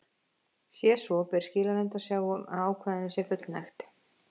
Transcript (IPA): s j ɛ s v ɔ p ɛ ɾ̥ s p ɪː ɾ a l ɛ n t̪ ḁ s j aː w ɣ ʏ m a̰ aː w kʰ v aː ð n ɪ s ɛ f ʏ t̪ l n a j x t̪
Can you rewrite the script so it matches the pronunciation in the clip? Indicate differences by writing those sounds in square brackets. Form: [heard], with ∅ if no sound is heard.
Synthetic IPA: s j ɛ s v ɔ p ɛ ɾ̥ s [c] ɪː [l] a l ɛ n t̪ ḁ s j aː w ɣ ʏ m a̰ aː w kʰ v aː ð n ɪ s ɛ f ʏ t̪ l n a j x t̪